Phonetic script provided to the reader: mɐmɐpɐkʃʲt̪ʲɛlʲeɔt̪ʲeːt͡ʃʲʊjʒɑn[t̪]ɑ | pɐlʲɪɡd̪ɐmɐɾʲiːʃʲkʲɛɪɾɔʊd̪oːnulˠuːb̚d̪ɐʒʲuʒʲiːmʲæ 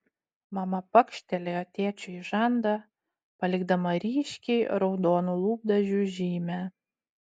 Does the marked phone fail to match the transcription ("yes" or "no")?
yes